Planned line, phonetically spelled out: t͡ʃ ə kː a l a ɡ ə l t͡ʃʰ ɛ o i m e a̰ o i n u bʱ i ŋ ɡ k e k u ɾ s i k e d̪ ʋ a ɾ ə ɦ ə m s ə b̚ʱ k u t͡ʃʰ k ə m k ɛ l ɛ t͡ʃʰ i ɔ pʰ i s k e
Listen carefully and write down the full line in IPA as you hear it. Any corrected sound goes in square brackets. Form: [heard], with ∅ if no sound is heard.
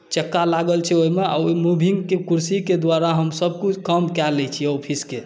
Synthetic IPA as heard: t͡ʃ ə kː a l a ɡ ə l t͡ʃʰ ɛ o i m e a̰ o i [m] u bʱ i ŋ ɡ k e k u ɾ s i k e d̪ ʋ a ɾ [a] ɦ ə m s ə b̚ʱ k u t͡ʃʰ k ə m k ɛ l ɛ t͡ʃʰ i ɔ pʰ i s k e